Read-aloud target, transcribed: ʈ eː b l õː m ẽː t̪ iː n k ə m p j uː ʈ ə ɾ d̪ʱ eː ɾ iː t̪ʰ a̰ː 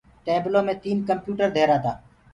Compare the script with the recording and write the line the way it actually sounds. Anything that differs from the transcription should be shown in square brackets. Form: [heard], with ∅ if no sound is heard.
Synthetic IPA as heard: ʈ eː b l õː m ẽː t̪ iː n k ə m p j uː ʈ ə ɾ d̪ʱ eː ɾ [aː] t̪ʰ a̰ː

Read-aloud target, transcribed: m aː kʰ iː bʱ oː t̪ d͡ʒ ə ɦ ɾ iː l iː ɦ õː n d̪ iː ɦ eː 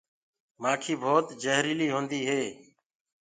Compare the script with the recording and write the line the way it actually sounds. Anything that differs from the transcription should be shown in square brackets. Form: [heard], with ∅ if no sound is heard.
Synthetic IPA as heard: m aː kʰ iː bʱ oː t̪ d͡ʒ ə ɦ ɾ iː l iː ɦ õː n d̪ iː ɦ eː

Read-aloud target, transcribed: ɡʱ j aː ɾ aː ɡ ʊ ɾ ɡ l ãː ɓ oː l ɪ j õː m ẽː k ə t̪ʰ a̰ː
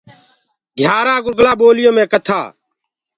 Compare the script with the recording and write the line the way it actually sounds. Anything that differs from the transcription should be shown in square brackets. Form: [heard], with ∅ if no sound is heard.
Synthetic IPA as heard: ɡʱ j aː ɾ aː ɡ ʊ ɾ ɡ l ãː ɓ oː l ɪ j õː m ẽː k ə t̪ʰ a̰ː

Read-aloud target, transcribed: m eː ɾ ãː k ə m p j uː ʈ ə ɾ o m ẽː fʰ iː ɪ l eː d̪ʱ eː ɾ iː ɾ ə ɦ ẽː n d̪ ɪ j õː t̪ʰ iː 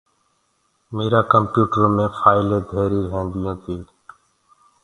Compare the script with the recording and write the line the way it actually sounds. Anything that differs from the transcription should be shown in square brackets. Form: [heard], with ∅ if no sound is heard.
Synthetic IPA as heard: m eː ɾ [aː] k ə m p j uː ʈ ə ɾ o m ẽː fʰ [aː] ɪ l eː d̪ʱ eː ɾ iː ɾ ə ɦ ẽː n d̪ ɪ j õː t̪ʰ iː

